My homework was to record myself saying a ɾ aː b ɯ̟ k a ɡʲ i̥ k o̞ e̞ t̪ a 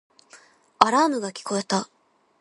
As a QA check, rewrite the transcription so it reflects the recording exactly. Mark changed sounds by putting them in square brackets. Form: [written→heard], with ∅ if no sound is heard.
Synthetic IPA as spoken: a ɾ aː [b→m] ɯ̟ [k→ɡ] a [ɡʲ→kʲ] i̥ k o̞ e̞ t̪ a